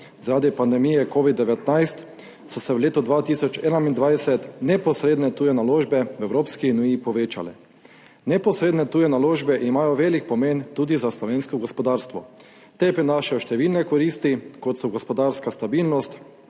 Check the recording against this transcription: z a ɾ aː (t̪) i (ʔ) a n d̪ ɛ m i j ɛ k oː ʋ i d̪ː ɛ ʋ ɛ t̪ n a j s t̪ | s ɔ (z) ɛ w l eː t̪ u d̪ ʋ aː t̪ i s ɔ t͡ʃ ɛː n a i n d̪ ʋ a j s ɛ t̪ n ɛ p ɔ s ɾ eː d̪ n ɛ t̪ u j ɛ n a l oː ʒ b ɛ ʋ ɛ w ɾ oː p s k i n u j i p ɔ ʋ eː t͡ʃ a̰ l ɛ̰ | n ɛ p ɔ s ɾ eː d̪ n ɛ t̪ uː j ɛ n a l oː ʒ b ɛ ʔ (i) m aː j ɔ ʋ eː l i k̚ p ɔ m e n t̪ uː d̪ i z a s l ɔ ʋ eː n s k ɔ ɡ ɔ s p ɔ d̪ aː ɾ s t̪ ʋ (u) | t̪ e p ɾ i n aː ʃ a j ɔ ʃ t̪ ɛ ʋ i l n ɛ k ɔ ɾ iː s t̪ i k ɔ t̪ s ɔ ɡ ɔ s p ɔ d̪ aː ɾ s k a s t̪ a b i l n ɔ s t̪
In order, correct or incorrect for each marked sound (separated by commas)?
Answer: incorrect, incorrect, incorrect, correct, incorrect